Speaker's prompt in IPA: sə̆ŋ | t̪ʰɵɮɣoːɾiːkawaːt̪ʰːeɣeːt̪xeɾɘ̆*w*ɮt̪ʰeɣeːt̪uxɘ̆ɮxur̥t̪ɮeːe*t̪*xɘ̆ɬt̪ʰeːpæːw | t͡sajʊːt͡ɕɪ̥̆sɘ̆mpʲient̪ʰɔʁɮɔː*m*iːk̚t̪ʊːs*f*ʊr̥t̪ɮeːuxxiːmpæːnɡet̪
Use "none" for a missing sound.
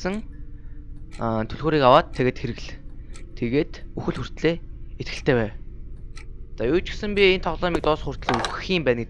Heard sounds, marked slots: ɣ, t̪, m, χ

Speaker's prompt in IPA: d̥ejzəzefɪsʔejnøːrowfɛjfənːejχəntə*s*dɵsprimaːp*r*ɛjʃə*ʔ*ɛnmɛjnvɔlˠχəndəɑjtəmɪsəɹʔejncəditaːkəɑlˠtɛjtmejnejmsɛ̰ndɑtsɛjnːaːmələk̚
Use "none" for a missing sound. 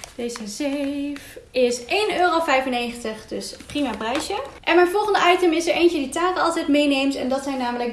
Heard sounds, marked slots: χ, r, ʔ

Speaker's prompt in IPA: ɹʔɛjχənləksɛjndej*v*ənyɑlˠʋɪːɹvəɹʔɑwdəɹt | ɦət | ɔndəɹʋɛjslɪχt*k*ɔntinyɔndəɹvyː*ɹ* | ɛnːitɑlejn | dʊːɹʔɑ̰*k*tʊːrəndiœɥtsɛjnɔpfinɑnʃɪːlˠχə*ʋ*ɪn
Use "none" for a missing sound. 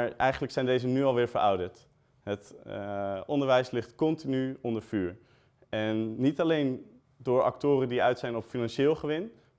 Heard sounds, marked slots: z, k, ɹ, k, ʋ

